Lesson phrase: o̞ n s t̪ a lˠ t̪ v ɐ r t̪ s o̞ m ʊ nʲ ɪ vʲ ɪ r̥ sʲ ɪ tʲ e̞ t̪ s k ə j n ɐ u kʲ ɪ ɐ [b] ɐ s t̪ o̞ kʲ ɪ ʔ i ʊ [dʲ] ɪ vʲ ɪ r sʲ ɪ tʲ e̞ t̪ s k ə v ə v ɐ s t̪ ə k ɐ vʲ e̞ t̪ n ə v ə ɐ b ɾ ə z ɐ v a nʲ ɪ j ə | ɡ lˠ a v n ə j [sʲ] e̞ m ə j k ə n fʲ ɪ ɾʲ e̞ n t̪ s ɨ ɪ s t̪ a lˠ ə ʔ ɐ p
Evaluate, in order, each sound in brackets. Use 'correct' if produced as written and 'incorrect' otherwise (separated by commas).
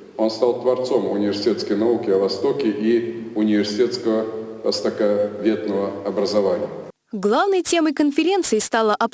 incorrect, incorrect, incorrect